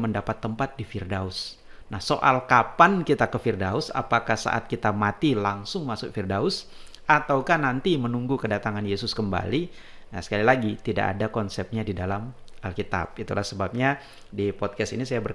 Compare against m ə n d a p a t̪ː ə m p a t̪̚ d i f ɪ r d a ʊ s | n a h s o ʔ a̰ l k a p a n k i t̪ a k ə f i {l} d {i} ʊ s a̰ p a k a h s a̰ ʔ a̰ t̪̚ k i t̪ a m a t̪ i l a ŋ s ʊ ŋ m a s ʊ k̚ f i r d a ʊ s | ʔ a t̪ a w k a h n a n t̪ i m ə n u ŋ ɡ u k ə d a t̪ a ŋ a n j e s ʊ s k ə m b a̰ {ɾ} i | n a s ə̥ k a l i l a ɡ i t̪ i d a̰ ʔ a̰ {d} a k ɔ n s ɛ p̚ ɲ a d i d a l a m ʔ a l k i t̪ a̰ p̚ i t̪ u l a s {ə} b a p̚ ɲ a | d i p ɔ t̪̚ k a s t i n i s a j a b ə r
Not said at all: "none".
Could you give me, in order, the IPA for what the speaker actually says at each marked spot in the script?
r, a, l, d, ə

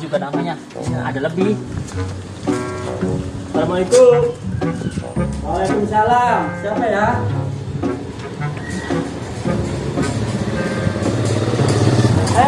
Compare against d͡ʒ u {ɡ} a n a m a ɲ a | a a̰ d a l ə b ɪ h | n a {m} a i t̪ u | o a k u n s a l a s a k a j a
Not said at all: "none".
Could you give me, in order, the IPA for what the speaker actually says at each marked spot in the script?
ɡ, m

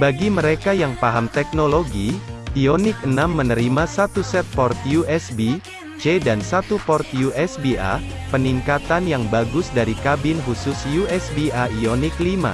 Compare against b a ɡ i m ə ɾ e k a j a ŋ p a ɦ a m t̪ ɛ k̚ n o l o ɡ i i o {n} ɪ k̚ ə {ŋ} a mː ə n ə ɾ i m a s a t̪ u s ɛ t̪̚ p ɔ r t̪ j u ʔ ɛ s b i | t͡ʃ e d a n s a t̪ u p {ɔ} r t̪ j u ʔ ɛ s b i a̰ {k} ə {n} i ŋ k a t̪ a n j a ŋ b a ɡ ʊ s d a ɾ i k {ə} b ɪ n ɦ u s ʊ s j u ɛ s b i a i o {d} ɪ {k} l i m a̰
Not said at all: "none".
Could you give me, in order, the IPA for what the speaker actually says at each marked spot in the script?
n, n, ɔ, p, n, a, n, k

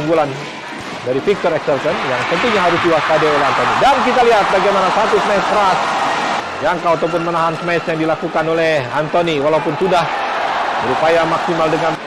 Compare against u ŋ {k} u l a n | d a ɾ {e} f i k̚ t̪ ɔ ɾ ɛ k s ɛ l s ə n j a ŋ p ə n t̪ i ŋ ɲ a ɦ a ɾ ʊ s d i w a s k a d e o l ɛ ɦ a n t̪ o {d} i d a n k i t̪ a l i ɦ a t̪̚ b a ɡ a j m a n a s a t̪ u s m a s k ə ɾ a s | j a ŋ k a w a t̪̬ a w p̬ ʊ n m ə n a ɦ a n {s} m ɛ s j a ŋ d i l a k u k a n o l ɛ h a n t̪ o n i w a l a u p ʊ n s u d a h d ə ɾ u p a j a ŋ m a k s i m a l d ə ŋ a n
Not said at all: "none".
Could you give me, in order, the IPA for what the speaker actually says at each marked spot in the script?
ɡ, i, n, s

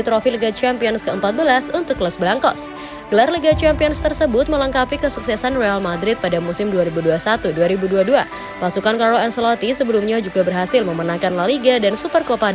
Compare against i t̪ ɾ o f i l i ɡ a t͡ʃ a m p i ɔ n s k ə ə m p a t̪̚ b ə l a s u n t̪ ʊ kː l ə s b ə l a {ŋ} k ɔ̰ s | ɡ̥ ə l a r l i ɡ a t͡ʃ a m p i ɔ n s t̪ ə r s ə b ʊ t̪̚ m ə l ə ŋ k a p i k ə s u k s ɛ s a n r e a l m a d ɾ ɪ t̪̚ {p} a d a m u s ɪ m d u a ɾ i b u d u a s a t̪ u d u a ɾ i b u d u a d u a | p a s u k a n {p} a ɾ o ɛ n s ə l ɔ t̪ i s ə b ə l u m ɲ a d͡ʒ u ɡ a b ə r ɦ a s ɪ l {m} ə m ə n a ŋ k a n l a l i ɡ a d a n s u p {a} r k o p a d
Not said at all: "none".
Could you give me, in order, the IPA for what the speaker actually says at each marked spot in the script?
ŋ, p, k, m, ə

